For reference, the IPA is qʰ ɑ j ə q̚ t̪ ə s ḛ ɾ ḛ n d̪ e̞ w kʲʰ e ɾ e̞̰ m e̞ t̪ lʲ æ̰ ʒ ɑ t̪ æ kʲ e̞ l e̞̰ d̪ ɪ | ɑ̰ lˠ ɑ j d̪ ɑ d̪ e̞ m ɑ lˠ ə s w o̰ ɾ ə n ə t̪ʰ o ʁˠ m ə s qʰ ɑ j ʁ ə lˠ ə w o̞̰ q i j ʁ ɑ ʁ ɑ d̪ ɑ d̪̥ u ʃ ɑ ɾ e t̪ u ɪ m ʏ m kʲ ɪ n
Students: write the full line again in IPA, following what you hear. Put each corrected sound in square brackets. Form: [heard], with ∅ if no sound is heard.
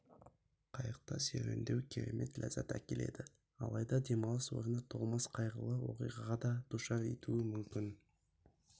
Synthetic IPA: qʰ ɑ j ə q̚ t̪ [ɑ] s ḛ ɾ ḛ n d̪ e̞ w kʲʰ e ɾ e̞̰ m e̞ t̪ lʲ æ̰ [z] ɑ t̪ æ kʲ e̞ l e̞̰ d̪ ɪ | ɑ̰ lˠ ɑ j d̪ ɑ d̪ e̞ m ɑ lˠ ə s w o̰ ɾ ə n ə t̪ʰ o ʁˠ m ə s qʰ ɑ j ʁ ə lˠ ə w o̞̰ q i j ʁ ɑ ʁ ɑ d̪ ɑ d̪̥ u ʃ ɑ ɾ e t̪ u ɪ m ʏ m kʲ ɪ n